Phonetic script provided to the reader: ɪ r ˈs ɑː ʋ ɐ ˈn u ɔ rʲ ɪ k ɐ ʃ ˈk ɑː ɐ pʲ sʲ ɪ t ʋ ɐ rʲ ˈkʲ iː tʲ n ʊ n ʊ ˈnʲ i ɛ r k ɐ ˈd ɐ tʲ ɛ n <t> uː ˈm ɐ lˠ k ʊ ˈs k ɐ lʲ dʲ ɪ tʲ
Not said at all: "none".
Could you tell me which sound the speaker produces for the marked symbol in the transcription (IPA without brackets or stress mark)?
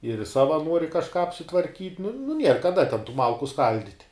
t